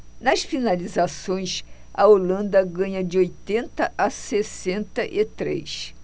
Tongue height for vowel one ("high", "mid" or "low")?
low